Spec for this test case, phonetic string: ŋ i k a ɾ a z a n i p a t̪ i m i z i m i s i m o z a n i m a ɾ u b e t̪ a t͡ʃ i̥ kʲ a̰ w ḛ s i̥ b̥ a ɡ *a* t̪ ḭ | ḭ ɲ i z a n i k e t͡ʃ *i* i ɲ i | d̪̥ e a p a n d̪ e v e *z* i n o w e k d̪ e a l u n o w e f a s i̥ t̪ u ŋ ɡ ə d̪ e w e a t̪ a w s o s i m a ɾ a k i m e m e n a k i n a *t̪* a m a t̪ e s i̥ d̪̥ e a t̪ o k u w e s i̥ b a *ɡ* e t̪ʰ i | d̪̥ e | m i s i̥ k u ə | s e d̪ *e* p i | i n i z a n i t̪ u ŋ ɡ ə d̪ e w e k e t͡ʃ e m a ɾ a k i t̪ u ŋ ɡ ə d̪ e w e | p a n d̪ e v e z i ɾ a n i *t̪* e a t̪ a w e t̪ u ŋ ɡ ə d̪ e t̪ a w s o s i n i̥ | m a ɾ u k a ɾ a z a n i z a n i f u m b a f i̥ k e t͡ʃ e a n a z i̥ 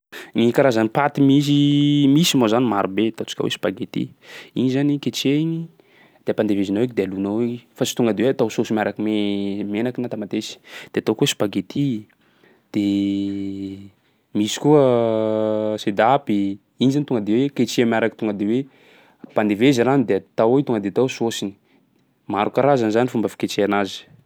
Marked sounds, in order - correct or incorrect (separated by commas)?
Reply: incorrect, incorrect, correct, correct, correct, incorrect, incorrect